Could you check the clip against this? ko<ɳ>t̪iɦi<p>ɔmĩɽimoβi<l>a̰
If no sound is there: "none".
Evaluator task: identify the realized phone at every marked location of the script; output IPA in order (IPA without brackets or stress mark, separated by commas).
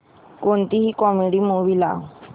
n, k, l